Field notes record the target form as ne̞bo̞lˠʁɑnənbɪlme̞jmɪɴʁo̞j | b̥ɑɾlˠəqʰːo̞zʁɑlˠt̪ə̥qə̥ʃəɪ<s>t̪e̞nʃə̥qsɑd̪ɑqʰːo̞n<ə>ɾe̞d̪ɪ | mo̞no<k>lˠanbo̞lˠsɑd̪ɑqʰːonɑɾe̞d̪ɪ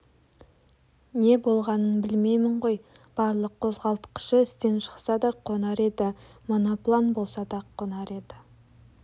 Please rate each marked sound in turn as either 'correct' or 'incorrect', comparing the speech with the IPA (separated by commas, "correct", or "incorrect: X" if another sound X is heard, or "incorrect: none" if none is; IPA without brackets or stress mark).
correct, incorrect: ɑ, incorrect: p